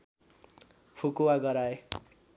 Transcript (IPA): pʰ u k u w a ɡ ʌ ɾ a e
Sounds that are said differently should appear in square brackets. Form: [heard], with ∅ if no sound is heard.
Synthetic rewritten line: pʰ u k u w a ɡ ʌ ɾ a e

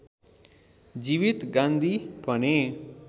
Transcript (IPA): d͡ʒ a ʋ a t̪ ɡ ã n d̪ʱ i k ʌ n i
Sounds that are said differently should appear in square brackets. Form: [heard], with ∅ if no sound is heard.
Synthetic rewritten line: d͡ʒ [i] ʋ [i] t̪ ɡ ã n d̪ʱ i [p] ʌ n [e]

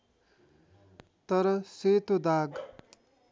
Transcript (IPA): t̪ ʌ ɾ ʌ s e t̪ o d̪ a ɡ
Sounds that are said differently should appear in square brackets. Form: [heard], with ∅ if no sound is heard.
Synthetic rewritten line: t̪ ʌ ɾ ʌ s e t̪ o d̪ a ɡ

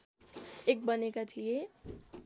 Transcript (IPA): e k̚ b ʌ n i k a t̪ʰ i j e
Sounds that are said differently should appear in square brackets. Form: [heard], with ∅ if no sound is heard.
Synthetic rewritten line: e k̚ b ʌ n [e] k a t̪ʰ i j e

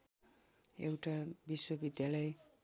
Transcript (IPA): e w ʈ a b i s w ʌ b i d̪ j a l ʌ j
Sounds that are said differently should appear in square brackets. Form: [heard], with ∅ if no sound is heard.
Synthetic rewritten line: e w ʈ a b i s w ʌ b i d̪ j a l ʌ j

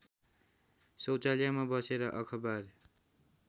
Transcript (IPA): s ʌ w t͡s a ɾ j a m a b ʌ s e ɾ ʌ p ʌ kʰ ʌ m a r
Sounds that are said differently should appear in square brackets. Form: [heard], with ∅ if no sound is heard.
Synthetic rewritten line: s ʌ w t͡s a [l] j a m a b ʌ s e ɾ ʌ [ʔ] ʌ kʰ ʌ [b] a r

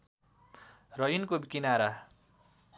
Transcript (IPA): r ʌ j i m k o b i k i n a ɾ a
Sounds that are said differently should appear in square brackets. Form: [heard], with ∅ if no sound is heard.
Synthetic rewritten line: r ʌ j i [n] k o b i k i n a ɾ a

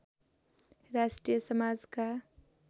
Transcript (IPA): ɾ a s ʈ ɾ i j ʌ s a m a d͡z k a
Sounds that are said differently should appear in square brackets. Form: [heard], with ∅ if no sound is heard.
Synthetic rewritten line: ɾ a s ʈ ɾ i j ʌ s [ʌ] m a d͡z k a

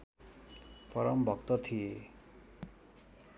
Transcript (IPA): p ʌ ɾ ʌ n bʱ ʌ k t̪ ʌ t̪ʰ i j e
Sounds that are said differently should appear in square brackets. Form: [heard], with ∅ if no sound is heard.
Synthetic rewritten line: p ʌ ɾ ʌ [m] bʱ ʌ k t̪ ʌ t̪ʰ i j e

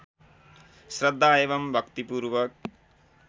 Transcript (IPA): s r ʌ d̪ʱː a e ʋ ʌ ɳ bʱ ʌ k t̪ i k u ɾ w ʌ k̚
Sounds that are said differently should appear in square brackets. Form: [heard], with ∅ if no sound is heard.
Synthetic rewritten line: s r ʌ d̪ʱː a e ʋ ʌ [m] bʱ ʌ k t̪ i [p] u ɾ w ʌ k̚

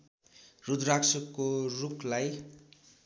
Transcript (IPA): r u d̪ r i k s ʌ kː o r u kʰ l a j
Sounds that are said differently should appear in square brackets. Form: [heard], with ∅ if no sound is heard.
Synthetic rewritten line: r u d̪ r [a] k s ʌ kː o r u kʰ l a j

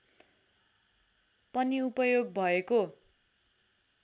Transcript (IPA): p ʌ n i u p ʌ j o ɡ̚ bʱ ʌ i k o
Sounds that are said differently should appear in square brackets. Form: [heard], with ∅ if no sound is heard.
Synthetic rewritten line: p ʌ n i u p ʌ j o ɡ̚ bʱ ʌ [e] k o

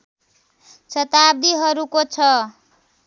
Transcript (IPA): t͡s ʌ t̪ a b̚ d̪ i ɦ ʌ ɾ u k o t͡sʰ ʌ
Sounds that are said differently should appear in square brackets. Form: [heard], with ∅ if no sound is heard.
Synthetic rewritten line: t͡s ʌ t̪ a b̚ d̪ i ɦ ʌ ɾ u k o t͡sʰ ʌ

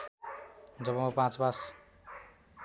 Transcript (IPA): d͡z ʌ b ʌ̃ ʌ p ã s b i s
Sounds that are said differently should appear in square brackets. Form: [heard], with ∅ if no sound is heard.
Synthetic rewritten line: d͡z ʌ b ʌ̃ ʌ p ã [t͡s] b [a] s

